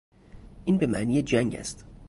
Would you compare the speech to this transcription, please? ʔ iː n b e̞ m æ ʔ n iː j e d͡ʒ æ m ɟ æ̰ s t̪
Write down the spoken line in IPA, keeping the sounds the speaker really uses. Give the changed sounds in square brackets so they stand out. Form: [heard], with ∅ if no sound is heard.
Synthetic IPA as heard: ʔ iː n b e̞ m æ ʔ n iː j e d͡ʒ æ [ŋ] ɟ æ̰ s t̪